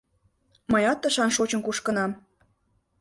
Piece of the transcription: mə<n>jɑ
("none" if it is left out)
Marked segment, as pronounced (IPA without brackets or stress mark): none